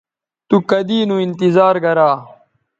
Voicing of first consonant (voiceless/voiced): voiceless